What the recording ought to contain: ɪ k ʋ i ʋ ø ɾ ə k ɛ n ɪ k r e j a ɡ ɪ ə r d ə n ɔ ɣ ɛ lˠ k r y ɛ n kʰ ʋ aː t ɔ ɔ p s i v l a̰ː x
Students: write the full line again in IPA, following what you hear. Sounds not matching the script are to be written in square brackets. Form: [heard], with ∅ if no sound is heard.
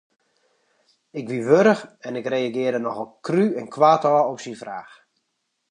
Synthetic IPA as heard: ɪ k ʋ i ʋ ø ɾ ə [x] ɛ n ɪ k r e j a ɡ ɪ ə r d ə n ɔ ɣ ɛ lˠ k r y ɛ n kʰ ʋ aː t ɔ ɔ p s i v [r] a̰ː x